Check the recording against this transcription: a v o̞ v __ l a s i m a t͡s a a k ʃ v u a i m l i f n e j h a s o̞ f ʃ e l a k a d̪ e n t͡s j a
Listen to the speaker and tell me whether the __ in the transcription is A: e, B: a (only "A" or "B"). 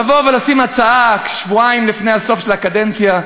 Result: A